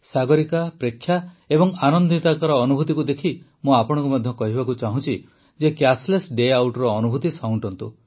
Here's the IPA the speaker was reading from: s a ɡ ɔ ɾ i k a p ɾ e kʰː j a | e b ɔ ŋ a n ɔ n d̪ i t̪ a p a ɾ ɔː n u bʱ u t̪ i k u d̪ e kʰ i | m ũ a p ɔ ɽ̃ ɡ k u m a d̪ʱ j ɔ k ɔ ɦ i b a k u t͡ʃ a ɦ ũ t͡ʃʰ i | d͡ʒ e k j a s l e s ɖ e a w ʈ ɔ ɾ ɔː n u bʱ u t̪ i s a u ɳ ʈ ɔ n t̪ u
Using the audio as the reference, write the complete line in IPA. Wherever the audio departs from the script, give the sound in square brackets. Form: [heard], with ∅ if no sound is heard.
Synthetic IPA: s a ɡ ɔ ɾ i k a p ɾ e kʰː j a | e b ɔ ŋ a n ɔ n d̪ i t̪ a [k] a ɾ ɔː n u bʱ u t̪ i k u d̪ e kʰ i | m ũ a p ɔ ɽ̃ [ŋ] k u m a d̪ʱ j ɔ k ɔ ɦ i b a k u t͡ʃ a ɦ ũ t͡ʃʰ i | d͡ʒ e k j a s l e s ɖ e a w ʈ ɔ ɾ ɔː n u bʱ u t̪ i s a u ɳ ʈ ɔ n t̪ u

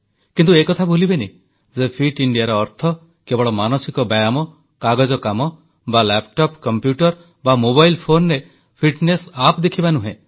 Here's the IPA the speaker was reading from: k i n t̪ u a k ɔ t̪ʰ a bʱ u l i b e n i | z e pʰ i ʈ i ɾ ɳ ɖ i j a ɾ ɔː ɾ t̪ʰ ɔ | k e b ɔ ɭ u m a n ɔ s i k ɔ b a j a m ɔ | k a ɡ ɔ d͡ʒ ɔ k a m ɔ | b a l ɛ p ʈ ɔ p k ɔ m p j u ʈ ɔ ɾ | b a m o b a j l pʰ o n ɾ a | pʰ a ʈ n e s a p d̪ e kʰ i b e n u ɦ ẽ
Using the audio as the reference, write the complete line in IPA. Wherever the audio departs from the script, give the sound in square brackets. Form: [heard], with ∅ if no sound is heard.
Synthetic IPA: k i n t̪ u [e] k ɔ t̪ʰ a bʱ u l i b e n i | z e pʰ i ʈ i [∅] ɳ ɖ i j a ɾ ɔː ɾ t̪ʰ ɔ | k e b ɔ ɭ [ɔ] m a n ɔ s i k ɔ b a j a m ɔ | k a ɡ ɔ d͡ʒ ɔ k a m ɔ | b a l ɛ p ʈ ɔ p k ɔ m p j u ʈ ɔ ɾ | b a m o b a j l pʰ o n ɾ [e] | pʰ [i] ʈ n e s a p d̪ e kʰ i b [a] n u ɦ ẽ

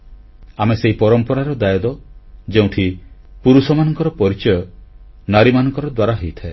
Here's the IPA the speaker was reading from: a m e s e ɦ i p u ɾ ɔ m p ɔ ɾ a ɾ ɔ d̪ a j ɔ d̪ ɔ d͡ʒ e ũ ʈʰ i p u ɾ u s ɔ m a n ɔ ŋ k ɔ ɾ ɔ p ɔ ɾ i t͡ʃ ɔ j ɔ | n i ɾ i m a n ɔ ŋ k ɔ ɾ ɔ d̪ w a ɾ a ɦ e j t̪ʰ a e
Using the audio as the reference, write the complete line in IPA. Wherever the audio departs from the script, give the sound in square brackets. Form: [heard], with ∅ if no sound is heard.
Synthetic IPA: a m e s e ɦ i p [ɔ] ɾ ɔ m p ɔ ɾ a ɾ ɔ d̪ a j ɔ d̪ ɔ d͡ʒ e ũ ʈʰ i p u ɾ u s ɔ m a n ɔ ŋ k ɔ ɾ ɔ p ɔ ɾ i t͡ʃ ɔ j ɔ | n [a] ɾ i m a n ɔ ŋ k ɔ ɾ ɔ d̪ w a ɾ a ɦ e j t̪ʰ a e

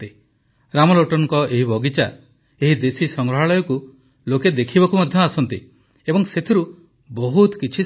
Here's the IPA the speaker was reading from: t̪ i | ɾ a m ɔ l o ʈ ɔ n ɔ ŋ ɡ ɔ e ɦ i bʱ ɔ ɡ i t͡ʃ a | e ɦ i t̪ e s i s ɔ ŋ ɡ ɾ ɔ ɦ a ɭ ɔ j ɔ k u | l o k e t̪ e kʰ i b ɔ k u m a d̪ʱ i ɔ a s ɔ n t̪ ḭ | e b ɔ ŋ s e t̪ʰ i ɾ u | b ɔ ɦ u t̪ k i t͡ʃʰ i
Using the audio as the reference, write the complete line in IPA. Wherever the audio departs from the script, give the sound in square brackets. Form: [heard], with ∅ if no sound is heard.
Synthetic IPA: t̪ i | ɾ a m ɔ l o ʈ ɔ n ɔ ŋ [k] ɔ e ɦ i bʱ ɔ ɡ i t͡ʃ a | e ɦ i [d̪] e s i s ɔ ŋ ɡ ɾ ɔ ɦ a ɭ ɔ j ɔ k u | l o k e [d̪] e kʰ i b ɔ k u m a d̪ʱ [j] ɔ a s ɔ n t̪ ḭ | e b ɔ ŋ s e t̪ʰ i ɾ u | b ɔ ɦ u t̪ k i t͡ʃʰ i

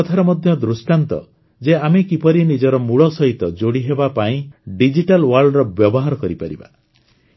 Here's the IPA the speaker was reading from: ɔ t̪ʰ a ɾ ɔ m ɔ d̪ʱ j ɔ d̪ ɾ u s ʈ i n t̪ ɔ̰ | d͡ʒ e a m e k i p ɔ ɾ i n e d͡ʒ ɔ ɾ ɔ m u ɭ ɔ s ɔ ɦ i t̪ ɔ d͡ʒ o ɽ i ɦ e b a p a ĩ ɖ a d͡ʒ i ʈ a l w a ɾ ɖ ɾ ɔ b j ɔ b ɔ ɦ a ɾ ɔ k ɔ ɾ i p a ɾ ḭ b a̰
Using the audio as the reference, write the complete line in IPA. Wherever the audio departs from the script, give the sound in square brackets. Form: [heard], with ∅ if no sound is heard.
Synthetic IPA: ɔ t̪ʰ a ɾ ɔ m ɔ d̪ʱ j ɔ d̪ ɾ u s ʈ [a] n t̪ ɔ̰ | d͡ʒ e a m e k i p ɔ ɾ i n [i] d͡ʒ ɔ ɾ ɔ m u ɭ ɔ s ɔ ɦ i t̪ ɔ d͡ʒ o ɽ i ɦ e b a p a ĩ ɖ [i] d͡ʒ i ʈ a l w a ɾ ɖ ɾ ɔ b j ɔ b ɔ ɦ a ɾ ɔ k ɔ ɾ i p a ɾ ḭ b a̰

